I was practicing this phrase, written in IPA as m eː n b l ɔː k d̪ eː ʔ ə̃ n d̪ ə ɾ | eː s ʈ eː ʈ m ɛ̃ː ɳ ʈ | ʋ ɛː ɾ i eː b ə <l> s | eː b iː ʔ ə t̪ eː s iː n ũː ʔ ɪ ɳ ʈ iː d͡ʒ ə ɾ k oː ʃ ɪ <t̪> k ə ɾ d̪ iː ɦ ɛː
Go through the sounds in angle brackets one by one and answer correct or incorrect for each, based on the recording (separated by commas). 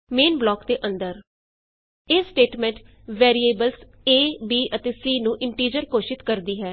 correct, correct